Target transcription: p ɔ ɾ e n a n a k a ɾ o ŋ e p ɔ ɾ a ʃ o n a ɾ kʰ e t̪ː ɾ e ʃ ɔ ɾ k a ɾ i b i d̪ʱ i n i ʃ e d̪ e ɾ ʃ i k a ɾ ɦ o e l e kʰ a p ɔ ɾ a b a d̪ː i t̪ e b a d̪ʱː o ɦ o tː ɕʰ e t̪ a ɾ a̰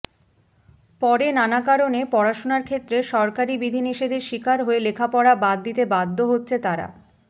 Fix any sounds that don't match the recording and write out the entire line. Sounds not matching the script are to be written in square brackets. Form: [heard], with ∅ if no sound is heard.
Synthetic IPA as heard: p ɔ ɾ e n a n a k a ɾ o [n] e p ɔ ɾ a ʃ o n a ɾ kʰ e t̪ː ɾ e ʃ ɔ ɾ k a ɾ i b i d̪ʱ i n i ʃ e d̪ e ɾ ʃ i k a ɾ ɦ o e l e kʰ a p ɔ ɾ a b a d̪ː i t̪ e b a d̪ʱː o ɦ o tː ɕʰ e t̪ a ɾ a̰